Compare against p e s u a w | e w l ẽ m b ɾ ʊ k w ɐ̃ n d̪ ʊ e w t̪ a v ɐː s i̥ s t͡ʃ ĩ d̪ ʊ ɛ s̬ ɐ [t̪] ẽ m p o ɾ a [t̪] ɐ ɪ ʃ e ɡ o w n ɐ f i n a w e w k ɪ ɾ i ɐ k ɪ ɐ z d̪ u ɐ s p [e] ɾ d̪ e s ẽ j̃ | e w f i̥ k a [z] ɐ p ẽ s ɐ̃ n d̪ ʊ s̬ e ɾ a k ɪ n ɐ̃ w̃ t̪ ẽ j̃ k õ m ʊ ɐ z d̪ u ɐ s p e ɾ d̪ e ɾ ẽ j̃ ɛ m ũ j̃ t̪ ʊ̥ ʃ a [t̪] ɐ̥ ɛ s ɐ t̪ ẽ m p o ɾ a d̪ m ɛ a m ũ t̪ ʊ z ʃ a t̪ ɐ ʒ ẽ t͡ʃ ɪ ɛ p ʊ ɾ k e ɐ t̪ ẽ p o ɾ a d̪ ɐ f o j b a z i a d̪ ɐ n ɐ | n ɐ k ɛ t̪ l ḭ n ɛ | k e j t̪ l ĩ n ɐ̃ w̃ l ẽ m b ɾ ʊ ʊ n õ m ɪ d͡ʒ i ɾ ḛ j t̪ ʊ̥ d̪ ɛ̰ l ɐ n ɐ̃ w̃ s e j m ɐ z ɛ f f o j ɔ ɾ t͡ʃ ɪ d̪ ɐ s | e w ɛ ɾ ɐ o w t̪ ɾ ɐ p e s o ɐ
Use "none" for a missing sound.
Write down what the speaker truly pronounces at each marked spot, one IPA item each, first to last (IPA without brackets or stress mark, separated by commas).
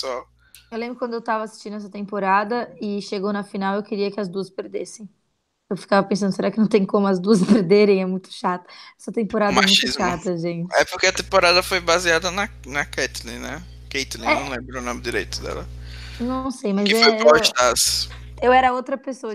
t̪, d̪, e, v, t̪